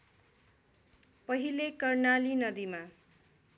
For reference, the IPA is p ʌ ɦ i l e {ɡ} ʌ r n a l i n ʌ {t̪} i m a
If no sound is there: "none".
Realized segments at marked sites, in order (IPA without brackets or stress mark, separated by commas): k, d̪